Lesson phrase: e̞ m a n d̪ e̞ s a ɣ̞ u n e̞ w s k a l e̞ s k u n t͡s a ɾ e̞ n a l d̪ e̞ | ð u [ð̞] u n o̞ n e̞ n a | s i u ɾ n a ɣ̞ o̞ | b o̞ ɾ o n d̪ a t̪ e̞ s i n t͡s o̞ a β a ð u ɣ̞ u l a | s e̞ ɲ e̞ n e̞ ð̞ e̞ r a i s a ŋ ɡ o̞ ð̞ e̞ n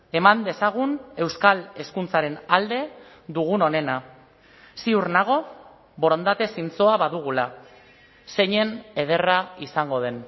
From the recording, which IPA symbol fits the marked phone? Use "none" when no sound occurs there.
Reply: ɣ̞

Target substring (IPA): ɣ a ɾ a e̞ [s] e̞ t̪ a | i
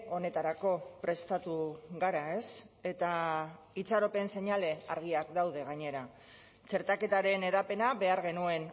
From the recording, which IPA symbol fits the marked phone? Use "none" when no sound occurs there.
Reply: s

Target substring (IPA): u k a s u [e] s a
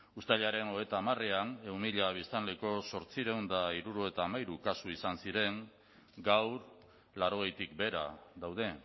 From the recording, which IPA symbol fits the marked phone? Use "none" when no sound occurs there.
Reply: i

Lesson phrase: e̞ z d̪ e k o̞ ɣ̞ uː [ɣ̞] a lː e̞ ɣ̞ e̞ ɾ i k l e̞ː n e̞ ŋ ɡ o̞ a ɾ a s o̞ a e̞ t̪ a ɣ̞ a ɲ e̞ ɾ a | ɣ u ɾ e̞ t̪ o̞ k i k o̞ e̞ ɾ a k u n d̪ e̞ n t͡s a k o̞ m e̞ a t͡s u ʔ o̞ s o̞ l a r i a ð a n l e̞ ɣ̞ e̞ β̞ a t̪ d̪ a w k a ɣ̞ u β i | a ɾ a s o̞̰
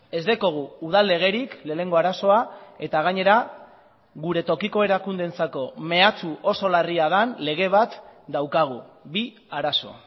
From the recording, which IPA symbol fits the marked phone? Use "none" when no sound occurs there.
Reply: ð̞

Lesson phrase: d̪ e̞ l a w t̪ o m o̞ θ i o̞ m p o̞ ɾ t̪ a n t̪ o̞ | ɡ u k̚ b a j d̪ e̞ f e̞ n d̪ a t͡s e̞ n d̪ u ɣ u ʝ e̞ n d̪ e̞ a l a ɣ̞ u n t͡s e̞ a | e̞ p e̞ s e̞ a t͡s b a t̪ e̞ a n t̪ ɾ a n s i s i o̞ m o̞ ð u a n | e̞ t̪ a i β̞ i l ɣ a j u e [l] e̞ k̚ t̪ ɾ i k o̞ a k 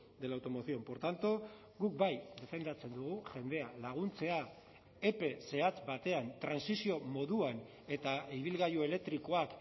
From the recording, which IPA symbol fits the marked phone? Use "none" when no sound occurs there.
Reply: l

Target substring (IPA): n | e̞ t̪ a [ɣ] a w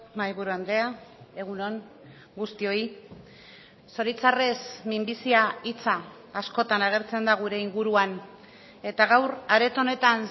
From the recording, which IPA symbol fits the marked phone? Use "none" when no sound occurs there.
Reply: ɣ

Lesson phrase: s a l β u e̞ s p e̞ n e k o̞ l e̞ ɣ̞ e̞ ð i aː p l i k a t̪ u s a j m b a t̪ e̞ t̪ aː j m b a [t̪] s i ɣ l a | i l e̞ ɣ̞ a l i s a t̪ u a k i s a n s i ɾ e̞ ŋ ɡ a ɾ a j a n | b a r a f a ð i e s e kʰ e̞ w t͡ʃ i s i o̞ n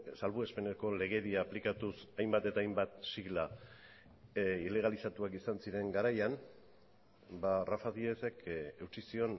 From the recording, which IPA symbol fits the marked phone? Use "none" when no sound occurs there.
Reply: t̪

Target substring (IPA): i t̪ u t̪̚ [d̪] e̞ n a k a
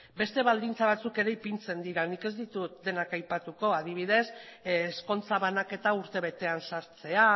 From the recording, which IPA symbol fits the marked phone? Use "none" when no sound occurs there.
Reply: d̪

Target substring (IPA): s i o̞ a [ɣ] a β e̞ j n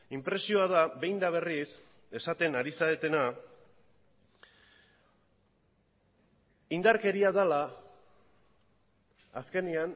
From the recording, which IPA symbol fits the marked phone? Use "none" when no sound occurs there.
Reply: ð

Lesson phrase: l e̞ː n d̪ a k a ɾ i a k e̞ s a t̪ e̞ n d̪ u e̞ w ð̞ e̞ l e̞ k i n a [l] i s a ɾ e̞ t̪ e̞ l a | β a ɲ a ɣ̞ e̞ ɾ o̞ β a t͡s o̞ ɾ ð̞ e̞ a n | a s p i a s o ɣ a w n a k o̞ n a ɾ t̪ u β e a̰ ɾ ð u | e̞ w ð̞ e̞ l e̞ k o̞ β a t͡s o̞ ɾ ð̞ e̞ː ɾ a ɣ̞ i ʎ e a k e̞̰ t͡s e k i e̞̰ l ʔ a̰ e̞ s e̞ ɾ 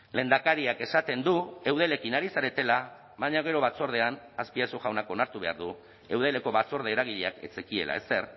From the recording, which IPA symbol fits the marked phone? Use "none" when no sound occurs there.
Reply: ɾ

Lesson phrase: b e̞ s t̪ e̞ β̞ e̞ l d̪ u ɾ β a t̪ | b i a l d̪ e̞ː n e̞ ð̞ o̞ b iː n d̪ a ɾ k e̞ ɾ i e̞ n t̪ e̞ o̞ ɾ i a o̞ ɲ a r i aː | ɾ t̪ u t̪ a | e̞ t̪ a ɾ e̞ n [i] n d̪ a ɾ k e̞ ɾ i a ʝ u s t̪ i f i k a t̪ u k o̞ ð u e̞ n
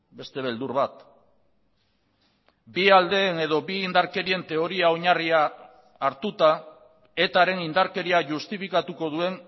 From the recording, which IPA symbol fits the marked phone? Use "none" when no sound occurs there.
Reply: i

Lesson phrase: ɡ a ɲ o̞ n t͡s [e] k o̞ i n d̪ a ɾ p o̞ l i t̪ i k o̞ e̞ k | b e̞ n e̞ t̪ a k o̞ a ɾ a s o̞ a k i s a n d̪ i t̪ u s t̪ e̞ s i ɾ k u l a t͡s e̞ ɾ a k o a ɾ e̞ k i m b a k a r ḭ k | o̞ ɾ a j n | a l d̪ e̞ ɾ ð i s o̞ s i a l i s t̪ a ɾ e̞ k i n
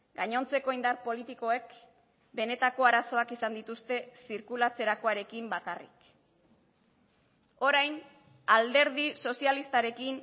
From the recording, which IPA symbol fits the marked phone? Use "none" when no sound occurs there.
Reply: e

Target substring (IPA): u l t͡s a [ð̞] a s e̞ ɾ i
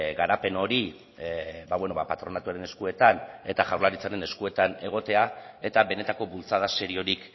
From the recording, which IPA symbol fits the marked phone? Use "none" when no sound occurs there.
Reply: ð̞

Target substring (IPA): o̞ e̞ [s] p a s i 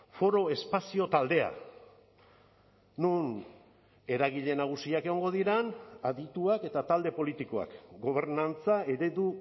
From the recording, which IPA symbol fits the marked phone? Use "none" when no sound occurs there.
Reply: s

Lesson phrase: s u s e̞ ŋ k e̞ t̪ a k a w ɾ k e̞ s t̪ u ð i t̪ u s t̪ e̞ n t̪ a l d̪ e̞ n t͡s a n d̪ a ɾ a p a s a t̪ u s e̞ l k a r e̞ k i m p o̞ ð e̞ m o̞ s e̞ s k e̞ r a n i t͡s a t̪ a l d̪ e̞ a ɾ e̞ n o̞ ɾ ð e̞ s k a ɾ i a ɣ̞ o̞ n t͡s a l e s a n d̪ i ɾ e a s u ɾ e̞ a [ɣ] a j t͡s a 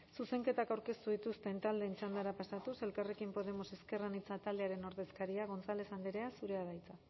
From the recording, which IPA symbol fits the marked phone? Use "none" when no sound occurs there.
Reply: ð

